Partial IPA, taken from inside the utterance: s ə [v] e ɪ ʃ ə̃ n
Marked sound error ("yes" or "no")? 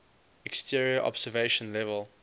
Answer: no